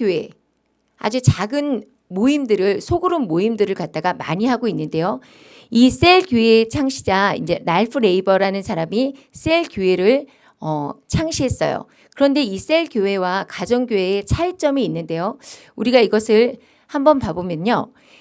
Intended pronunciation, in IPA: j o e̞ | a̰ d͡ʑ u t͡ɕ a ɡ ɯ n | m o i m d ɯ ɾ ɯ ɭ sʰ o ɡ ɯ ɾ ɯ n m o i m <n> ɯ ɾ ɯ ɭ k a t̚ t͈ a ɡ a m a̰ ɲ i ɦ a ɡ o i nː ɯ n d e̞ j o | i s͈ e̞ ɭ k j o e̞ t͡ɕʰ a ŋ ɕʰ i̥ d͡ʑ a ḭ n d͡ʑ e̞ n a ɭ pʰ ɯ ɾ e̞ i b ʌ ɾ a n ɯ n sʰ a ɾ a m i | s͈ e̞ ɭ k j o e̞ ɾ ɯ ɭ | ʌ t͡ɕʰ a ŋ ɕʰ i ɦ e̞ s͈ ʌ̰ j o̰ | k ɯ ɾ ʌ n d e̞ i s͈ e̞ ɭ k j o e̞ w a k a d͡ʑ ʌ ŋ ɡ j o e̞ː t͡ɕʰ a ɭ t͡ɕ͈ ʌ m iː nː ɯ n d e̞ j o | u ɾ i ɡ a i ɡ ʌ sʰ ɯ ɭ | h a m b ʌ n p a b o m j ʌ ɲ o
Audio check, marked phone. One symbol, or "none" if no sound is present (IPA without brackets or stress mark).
d